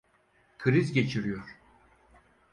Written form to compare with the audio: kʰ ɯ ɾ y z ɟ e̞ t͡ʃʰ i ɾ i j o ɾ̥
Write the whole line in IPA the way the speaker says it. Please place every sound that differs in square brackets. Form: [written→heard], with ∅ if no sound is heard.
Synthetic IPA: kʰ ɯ ɾ [y→i] z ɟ e̞ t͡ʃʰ i ɾ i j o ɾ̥